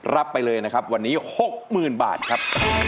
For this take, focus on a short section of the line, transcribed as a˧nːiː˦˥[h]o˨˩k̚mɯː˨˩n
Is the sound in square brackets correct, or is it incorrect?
correct